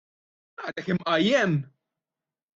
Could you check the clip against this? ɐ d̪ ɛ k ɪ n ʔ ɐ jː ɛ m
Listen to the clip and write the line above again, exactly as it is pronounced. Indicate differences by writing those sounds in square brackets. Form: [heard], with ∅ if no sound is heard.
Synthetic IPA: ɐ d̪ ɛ k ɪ [m] ʔ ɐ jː ɛ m